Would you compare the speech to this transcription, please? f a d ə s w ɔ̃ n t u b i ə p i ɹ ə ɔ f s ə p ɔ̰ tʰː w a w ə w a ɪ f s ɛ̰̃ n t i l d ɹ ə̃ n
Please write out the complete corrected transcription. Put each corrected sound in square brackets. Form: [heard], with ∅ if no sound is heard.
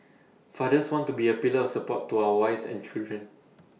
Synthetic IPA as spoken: f a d ə s w ɔ̃ n t u b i ə p i [l] ə ɔ f s ə p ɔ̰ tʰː [u] a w ə w a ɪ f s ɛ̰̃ n [t͡ʃ] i l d ɹ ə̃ n